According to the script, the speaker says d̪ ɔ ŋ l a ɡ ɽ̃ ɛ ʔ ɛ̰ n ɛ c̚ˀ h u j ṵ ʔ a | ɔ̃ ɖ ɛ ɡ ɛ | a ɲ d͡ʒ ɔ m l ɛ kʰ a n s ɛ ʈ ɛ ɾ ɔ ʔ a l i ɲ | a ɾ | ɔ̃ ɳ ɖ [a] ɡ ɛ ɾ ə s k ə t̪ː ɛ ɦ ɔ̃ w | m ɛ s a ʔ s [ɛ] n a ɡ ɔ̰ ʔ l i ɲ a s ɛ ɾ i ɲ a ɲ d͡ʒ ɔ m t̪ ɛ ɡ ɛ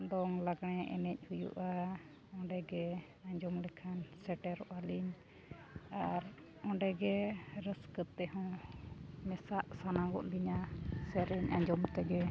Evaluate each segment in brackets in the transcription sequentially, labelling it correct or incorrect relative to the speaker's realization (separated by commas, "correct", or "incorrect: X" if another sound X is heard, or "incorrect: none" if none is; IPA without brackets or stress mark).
incorrect: ɛ, incorrect: a